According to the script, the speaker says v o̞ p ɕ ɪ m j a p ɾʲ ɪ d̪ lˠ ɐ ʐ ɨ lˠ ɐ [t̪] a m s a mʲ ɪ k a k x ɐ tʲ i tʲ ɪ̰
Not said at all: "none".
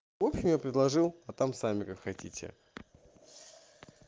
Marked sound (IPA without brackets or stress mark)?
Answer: t̪